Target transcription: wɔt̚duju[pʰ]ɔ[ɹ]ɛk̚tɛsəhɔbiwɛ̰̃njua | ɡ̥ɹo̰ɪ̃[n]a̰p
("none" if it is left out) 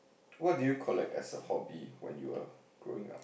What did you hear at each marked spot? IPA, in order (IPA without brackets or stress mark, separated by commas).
kʰ, l, ŋ